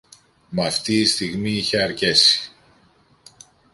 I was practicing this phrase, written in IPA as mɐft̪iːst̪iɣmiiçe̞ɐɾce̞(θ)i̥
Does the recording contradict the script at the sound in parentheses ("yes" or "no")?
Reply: yes